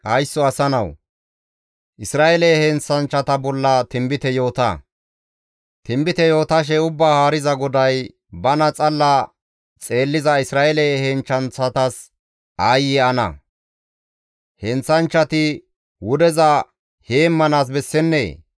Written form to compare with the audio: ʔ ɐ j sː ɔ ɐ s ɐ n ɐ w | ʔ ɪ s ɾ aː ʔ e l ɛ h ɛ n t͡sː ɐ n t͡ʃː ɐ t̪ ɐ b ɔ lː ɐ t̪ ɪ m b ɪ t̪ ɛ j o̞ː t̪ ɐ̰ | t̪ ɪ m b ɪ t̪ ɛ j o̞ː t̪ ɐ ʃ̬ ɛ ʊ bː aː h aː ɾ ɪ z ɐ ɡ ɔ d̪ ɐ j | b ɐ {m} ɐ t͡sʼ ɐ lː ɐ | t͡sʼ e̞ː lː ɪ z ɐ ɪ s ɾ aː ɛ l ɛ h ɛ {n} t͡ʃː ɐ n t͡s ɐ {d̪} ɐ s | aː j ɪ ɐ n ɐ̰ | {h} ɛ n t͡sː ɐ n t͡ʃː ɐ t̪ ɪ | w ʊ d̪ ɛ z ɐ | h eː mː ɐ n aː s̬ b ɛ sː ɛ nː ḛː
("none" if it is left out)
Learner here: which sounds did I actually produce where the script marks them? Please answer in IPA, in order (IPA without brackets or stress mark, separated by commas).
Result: n, n, t̪, h